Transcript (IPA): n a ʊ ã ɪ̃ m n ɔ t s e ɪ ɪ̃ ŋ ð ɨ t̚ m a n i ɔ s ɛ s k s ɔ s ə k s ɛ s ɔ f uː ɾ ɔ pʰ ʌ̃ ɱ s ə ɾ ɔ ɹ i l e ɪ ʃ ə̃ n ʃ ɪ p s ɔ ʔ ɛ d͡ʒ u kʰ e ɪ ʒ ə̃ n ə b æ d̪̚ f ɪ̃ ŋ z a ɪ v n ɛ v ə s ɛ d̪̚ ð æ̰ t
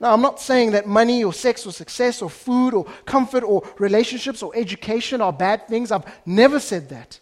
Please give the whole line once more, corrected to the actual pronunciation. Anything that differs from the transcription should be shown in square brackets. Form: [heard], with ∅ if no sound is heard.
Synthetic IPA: n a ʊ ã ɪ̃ m n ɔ t s e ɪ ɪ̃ ŋ ð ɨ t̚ m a n i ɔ s ɛ [∅] k s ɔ s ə k s ɛ s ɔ f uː ɾ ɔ [kʰ] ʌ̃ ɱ [f] ə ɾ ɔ ɹ i l e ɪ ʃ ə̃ n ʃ ɪ p s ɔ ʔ ɛ d͡ʒ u kʰ e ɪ [ʃ] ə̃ n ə b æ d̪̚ [θ] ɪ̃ ŋ z a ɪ v n ɛ v ə s ɛ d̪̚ ð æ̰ t